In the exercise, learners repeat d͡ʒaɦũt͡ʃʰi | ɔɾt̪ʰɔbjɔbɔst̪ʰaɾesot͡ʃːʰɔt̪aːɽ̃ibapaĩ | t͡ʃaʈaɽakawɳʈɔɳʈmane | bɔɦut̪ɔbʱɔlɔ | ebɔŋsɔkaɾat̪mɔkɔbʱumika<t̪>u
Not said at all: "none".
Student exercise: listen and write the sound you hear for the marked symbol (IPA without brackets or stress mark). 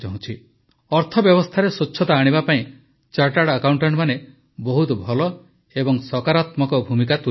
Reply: t̪